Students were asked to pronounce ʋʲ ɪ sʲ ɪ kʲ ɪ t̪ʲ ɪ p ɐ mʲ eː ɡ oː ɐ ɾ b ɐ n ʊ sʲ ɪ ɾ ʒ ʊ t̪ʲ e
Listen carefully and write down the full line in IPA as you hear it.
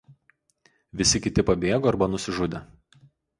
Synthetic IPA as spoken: ʋʲ ɪ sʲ ɪ kʲ ɪ t̪ʲ ɪ p ɐ bʲ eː ɡ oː ɐ ɾ b ɐ n ʊ sʲ ɪ ʒ ʊ d̪ʲ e